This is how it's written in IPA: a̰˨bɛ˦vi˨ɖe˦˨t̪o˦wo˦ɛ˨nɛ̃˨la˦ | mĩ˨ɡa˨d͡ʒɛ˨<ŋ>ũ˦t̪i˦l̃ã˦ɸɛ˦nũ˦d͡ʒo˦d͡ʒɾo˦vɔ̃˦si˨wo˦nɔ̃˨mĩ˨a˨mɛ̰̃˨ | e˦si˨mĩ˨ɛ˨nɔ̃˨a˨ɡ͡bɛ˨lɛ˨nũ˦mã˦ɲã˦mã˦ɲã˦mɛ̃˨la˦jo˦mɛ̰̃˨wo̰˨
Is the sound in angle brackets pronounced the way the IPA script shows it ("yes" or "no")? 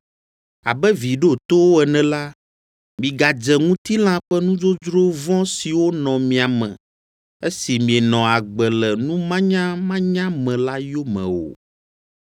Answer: yes